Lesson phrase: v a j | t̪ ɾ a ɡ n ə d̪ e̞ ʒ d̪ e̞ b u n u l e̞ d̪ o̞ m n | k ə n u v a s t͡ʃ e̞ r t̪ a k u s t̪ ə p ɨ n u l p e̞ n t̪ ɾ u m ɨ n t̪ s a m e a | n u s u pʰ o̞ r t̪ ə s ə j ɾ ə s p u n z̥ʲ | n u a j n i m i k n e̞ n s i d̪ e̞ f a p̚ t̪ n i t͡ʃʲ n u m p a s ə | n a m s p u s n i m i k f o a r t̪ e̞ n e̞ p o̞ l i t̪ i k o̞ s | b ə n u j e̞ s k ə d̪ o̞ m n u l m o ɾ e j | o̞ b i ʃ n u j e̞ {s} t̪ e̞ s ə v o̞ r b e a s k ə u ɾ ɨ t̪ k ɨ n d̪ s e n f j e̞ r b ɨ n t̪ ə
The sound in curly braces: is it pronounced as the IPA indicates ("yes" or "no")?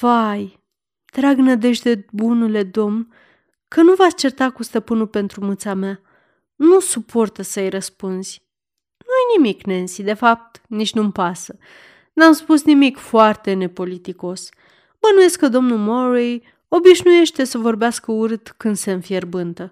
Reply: no